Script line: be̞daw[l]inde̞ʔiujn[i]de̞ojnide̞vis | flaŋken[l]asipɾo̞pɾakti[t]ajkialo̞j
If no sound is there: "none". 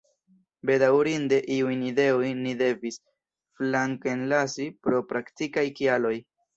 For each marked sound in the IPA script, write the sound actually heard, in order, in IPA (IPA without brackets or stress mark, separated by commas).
ɾ, i, l, k